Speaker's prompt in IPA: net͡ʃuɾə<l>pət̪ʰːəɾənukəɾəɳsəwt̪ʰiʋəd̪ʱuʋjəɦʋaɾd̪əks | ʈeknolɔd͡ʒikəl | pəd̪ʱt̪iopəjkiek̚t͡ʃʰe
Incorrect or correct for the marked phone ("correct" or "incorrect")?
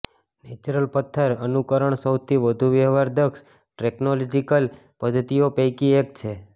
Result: correct